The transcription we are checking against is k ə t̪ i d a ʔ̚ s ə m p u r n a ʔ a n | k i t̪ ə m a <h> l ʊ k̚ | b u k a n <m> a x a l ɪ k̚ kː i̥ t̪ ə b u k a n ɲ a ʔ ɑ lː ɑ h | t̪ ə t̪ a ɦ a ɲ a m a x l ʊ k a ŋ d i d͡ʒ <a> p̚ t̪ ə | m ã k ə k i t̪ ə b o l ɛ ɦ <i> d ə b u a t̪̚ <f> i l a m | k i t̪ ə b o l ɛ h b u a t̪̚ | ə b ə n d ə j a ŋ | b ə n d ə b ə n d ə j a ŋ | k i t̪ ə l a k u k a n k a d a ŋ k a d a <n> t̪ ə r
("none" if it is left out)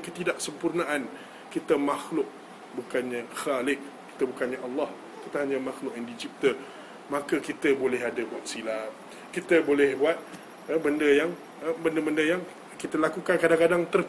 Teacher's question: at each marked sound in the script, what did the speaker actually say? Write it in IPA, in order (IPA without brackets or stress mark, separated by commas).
x, ɲ, i, a, s, ŋ